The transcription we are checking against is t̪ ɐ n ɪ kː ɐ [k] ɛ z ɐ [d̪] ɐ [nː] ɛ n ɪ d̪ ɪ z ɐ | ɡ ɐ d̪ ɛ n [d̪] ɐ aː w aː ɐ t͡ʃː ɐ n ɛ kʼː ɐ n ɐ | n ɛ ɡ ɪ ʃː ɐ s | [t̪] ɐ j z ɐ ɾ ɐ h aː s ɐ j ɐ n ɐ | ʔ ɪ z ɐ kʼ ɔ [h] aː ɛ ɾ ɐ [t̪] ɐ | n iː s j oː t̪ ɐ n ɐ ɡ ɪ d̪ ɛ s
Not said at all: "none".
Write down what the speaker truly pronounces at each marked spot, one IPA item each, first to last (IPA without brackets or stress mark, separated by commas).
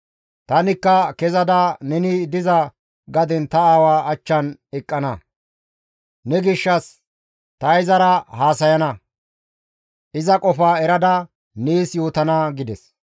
k, d̪, n, t̪, t̪, f, d̪